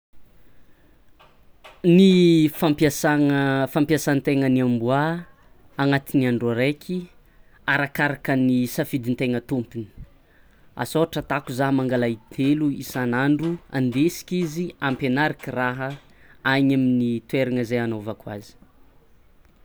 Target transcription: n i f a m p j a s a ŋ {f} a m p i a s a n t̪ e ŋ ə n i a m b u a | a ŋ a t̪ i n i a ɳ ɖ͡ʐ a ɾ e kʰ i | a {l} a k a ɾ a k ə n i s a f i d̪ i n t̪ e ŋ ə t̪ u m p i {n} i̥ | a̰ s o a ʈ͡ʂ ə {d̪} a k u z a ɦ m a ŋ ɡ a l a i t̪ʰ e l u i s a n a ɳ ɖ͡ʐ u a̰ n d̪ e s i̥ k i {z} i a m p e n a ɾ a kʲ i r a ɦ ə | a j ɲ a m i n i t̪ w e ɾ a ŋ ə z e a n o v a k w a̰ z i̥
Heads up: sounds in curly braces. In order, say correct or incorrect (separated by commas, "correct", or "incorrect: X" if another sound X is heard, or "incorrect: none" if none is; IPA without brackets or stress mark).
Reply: correct, incorrect: ɾ, correct, incorrect: t̪, correct